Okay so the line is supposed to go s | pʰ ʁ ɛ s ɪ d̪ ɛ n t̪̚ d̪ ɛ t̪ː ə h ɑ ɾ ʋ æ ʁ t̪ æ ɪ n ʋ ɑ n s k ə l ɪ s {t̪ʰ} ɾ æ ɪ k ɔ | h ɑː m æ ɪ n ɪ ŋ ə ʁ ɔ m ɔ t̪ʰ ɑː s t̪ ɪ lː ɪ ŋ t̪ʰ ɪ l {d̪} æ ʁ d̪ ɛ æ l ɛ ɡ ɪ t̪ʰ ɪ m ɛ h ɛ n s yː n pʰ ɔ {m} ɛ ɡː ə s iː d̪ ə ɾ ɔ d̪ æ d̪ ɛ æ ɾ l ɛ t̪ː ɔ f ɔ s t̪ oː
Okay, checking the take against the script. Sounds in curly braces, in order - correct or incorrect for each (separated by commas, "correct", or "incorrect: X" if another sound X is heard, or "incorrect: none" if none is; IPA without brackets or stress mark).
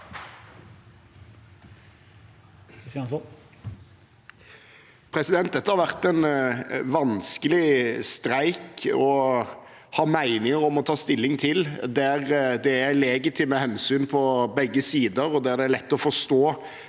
incorrect: t̪, correct, incorrect: b